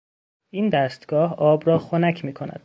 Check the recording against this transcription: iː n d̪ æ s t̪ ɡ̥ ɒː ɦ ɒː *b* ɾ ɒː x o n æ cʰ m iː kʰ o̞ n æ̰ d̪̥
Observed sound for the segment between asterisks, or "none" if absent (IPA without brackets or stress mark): b